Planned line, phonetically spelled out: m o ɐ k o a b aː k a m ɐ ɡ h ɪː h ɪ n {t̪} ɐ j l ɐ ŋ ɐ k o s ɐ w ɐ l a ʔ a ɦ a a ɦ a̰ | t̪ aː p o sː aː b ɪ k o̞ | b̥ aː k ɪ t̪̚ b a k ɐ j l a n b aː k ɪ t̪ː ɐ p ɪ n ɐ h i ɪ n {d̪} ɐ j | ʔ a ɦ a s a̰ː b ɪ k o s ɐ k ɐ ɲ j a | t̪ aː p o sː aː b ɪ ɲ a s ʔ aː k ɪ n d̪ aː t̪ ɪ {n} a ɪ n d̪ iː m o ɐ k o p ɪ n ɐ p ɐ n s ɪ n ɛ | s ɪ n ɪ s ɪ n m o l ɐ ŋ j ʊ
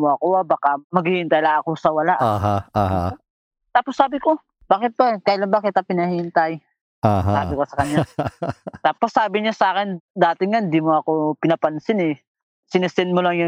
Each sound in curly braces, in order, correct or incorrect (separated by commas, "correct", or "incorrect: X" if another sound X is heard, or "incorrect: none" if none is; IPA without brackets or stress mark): correct, incorrect: t̪, incorrect: ŋ